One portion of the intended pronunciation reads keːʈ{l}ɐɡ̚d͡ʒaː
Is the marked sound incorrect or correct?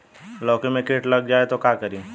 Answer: correct